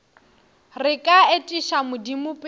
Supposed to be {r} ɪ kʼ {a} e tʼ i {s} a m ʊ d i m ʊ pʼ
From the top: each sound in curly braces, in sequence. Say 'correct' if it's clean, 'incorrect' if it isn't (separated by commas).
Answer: correct, correct, incorrect